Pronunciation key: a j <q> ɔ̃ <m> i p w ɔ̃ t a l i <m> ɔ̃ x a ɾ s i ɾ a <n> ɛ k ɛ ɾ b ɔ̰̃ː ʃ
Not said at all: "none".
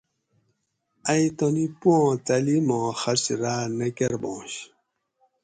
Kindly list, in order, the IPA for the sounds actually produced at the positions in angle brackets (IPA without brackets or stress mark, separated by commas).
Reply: t, n, m, n